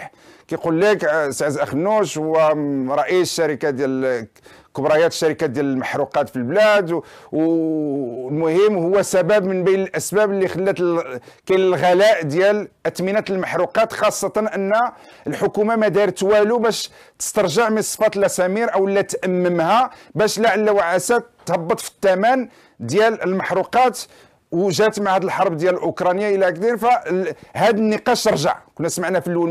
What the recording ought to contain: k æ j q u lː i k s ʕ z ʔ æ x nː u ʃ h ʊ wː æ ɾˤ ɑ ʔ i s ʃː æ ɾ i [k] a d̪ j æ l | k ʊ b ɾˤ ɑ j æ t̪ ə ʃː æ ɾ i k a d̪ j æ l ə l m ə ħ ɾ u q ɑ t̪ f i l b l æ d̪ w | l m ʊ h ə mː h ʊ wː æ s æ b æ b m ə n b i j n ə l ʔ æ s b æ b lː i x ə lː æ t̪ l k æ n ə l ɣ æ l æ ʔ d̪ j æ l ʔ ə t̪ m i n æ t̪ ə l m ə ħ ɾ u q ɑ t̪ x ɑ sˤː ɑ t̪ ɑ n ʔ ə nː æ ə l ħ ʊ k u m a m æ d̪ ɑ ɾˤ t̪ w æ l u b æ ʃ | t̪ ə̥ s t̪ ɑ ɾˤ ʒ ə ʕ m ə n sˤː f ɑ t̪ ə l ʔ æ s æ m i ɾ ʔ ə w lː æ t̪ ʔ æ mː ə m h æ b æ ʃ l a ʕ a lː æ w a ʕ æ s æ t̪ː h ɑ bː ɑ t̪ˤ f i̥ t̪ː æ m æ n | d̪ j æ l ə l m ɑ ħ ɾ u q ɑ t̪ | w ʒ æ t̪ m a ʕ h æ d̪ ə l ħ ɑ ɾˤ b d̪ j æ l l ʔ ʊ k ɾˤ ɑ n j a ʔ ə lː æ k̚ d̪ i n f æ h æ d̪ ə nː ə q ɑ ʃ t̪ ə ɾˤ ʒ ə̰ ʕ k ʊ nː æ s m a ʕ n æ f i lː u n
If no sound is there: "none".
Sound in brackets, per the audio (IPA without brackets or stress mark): k